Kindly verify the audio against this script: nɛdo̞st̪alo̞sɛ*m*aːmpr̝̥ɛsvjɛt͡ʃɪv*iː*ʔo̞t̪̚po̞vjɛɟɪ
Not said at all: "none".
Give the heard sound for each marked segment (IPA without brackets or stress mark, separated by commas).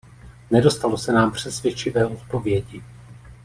n, ɛː